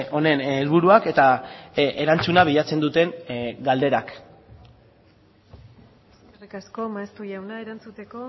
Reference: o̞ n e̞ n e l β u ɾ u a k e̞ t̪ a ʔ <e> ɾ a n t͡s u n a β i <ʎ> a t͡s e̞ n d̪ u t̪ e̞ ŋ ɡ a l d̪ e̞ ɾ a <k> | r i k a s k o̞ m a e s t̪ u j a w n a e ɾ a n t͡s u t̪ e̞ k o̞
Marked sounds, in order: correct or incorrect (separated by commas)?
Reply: correct, correct, correct